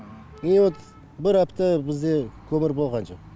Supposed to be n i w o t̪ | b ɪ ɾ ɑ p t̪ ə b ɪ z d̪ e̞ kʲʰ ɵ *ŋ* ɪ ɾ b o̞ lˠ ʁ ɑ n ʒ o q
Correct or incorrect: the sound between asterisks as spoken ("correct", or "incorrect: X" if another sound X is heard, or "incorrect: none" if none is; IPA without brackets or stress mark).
incorrect: m